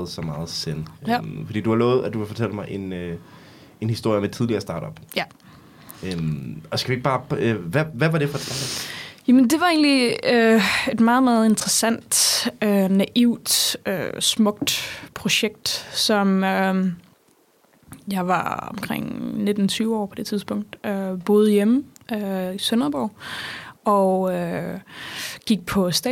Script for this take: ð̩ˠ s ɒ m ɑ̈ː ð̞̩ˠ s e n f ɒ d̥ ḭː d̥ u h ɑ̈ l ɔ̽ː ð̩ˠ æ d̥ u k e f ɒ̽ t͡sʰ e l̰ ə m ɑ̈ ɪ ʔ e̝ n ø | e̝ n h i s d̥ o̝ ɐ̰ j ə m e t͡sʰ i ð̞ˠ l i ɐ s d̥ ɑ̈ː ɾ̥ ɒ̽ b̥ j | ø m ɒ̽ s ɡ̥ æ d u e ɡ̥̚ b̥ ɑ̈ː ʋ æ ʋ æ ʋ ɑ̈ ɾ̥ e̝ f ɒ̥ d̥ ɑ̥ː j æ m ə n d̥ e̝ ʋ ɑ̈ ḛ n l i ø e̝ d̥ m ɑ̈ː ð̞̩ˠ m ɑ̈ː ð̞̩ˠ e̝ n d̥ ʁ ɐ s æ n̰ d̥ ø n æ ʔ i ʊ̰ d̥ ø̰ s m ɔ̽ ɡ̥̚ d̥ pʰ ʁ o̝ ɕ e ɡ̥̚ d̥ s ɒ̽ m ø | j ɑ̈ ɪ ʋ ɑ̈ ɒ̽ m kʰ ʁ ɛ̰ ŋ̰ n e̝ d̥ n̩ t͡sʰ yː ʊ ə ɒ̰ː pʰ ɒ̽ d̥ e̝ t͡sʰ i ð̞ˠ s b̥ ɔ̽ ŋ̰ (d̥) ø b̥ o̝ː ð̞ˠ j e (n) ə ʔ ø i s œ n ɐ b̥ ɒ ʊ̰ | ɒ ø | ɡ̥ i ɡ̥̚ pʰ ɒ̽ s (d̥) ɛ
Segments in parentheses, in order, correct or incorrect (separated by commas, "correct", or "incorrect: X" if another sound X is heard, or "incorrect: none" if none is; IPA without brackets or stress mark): correct, incorrect: m, correct